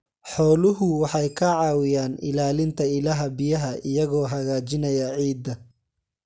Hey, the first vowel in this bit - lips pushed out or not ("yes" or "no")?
yes